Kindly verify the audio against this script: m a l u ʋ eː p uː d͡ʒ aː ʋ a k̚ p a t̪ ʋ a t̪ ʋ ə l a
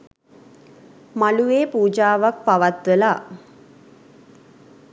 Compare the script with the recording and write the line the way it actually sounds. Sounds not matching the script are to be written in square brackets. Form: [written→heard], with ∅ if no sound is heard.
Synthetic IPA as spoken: m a l u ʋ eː p uː d͡ʒ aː ʋ a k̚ p a [t̪→∅] ʋ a t̪ ʋ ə l a